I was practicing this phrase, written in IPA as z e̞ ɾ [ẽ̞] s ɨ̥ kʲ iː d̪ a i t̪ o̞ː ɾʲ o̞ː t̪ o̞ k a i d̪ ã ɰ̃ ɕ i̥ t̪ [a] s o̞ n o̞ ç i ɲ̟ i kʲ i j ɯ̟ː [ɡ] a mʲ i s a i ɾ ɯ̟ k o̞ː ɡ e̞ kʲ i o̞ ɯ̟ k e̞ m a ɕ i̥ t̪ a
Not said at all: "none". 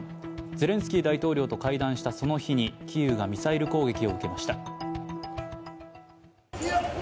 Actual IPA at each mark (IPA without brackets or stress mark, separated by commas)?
ẽ̞, a, ɡ